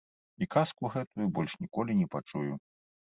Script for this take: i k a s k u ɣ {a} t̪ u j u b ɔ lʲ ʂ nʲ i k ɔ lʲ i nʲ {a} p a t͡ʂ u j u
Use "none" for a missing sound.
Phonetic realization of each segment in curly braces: ɛ, ɛ

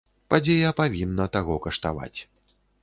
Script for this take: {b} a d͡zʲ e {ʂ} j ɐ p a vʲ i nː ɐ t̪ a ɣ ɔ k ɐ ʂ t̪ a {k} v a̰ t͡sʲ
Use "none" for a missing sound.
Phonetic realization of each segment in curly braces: p, none, none

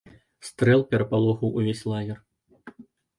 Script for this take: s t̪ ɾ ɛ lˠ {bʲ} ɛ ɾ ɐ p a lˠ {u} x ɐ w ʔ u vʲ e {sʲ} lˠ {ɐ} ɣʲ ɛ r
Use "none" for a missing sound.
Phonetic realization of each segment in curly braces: pʲ, ɔ, sʲ, a

